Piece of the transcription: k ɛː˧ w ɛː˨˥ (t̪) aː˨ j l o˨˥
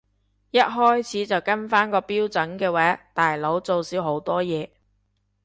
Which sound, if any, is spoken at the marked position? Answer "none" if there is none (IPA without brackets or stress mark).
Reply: t̪